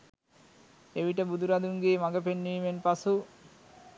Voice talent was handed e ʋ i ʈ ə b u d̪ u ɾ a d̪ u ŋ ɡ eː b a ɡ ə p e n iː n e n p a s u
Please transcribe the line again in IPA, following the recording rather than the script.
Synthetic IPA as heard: e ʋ i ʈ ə b u d̪ u ɾ a d̪ u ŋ ɡ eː m a ɡ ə p e nː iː m e n p a s u